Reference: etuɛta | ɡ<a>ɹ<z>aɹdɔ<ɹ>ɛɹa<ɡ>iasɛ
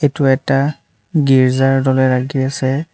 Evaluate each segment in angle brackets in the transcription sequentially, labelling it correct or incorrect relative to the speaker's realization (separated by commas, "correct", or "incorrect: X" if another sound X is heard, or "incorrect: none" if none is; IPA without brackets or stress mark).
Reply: incorrect: i, correct, incorrect: l, correct